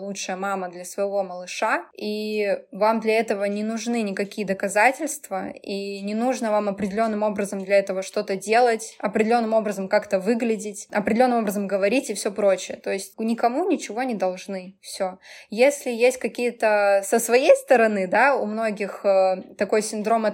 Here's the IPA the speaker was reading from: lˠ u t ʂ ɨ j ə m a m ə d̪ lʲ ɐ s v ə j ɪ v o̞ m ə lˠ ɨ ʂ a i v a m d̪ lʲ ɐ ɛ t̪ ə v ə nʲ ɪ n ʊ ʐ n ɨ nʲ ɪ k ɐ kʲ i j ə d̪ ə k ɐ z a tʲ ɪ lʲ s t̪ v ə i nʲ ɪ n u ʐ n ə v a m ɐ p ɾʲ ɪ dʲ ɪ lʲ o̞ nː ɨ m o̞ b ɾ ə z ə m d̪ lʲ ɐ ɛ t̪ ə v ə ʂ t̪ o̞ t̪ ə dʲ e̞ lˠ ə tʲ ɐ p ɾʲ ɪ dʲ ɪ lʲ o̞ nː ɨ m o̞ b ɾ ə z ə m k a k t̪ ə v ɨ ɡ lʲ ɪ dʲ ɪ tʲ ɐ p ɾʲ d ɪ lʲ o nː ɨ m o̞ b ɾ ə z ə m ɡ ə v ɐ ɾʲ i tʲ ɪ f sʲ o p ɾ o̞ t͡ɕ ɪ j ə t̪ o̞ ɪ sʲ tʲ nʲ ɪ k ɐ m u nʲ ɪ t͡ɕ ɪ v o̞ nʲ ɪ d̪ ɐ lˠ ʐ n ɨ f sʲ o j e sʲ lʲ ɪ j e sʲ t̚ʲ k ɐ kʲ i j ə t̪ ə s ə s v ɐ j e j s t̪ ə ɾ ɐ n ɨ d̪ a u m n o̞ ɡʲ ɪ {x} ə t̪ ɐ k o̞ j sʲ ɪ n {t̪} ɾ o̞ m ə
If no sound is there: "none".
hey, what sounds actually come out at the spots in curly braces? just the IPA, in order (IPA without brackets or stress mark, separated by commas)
x, d̪